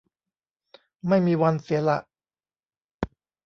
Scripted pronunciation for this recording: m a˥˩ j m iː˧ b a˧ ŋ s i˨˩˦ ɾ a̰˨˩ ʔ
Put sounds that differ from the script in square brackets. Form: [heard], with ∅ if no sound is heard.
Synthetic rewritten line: m a˥˩ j m iː˧ [w] a˧ [n] s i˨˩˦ [l] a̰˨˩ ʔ